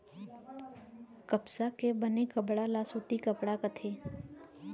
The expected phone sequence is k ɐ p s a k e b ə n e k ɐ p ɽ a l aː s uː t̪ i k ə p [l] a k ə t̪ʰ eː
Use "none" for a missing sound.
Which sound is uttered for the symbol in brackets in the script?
ɽ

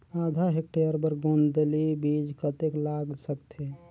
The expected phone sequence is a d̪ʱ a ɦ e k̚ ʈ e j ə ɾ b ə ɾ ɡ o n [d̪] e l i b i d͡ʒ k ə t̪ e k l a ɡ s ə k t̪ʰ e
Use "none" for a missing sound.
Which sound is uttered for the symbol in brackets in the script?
d̪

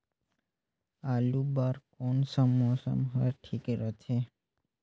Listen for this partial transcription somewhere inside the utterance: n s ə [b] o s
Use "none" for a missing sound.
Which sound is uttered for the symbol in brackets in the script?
m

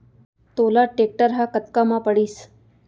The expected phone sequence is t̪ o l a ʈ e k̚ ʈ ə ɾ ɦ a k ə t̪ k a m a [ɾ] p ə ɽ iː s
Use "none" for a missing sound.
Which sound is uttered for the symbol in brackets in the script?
none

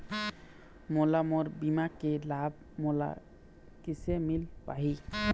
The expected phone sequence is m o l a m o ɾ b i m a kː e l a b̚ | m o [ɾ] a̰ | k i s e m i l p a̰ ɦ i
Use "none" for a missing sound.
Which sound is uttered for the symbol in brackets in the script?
l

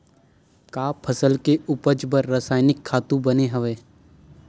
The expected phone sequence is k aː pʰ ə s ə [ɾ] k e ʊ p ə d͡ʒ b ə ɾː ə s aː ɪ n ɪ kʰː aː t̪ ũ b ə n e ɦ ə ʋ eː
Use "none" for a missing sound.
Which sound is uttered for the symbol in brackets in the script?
l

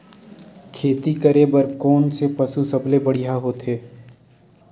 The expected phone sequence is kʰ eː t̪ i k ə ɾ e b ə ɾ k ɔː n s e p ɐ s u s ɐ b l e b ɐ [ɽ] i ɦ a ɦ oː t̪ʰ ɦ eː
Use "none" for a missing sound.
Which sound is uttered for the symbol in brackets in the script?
ɽ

